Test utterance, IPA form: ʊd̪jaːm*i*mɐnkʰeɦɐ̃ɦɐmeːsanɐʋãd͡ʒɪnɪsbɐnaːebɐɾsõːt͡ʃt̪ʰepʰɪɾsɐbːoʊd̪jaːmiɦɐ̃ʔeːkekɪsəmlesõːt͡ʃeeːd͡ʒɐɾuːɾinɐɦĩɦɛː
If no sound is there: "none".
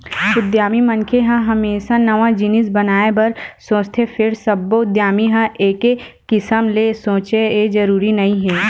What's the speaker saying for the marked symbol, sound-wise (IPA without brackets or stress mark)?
i